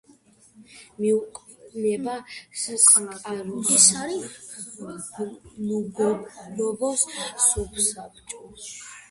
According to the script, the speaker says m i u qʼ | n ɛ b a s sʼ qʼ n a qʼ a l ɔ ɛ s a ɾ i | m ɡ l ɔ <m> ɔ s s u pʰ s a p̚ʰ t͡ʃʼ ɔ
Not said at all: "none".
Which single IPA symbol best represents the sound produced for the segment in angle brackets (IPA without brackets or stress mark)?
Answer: b